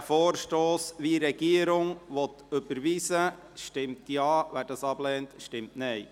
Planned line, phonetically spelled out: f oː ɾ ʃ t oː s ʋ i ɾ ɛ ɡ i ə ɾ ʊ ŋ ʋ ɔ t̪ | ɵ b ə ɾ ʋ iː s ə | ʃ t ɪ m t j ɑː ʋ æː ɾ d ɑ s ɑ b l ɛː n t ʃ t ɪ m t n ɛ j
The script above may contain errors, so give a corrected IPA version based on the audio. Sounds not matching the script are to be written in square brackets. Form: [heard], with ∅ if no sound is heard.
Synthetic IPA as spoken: f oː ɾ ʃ t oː s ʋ i ɾ ɛ ɡ i ə ɾ ʊ ŋ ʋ ɔ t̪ | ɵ b ə ɾ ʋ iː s ə | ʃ t ɪ m t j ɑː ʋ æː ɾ d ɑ s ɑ b l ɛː n t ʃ t ɪ m t n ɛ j